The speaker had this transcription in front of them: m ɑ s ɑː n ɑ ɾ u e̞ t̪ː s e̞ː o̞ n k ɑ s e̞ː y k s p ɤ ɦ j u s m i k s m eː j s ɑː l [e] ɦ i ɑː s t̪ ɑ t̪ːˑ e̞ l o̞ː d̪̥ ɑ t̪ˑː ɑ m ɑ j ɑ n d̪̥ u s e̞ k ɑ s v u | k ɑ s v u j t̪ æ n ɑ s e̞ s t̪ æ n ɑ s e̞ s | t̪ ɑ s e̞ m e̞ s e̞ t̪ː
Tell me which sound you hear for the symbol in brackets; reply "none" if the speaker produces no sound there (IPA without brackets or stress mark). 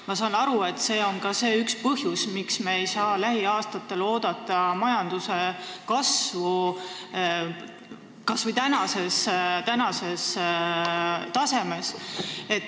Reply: æ